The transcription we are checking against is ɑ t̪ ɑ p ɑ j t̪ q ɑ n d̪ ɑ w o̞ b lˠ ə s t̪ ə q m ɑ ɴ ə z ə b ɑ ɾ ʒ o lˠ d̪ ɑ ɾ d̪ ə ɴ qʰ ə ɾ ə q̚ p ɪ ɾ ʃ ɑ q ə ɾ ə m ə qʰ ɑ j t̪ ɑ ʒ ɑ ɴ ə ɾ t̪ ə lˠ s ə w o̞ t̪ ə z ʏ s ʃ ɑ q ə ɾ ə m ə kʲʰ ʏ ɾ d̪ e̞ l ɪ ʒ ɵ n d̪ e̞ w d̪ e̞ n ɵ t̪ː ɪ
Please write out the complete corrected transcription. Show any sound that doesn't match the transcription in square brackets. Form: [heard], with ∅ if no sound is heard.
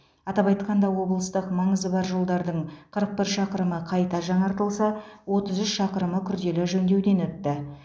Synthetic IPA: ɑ t̪ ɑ p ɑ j t̪ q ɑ n d̪ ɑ w o̞ b lˠ ə s t̪ ə q m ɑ ɴ ə z ə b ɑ ɾ ʒ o lˠ d̪ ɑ ɾ d̪ ə ɴ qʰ ə ɾ ə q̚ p ɪ ɾ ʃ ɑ q ə ɾ ə m ə qʰ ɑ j t̪ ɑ ʒ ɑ ɴ [ɑ] ɾ t̪ ə lˠ s [ɑ] w o̞ t̪ ə z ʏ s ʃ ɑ q ə ɾ ə m ə kʲʰ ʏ ɾ d̪ e̞ l ɪ ʒ ɵ n d̪ e̞ w d̪ e̞ n ɵ t̪ː ɪ